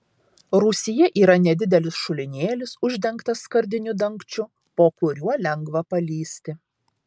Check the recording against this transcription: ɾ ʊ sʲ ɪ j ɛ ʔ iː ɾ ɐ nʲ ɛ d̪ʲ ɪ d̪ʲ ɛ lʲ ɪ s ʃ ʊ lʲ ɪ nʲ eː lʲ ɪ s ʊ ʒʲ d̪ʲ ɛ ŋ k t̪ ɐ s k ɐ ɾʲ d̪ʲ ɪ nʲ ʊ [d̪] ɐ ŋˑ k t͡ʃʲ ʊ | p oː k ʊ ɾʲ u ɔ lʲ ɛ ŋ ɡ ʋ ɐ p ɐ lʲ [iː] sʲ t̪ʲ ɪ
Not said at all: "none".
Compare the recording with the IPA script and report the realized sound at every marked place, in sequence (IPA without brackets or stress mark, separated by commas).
d̪, iː